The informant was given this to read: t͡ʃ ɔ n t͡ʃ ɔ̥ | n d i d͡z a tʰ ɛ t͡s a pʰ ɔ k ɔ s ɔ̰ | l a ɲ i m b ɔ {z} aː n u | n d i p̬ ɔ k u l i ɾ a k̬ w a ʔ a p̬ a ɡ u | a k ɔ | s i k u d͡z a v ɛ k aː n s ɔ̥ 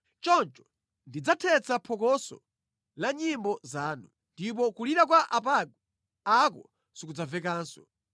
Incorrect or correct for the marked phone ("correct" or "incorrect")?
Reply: correct